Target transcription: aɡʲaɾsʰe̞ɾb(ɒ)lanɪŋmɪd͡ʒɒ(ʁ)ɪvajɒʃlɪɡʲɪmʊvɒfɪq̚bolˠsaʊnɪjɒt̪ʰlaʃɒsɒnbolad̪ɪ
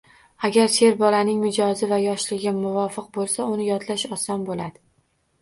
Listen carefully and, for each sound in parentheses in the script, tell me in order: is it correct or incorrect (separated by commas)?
correct, incorrect